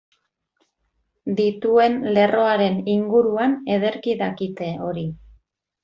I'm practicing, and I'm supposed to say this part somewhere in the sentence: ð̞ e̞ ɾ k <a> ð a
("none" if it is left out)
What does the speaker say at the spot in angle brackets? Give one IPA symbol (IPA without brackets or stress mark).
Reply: i